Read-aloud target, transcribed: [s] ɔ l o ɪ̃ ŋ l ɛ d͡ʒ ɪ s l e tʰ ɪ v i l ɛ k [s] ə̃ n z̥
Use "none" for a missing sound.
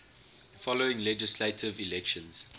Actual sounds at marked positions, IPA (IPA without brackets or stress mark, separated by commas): f, ʃ